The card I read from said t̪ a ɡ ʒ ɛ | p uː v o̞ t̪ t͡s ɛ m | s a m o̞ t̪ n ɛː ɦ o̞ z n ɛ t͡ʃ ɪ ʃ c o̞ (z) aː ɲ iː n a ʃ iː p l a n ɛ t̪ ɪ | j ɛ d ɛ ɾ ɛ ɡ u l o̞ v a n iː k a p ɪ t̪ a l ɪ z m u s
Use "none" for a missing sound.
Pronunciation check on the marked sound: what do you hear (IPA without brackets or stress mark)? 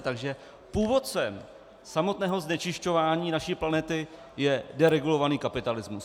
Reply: v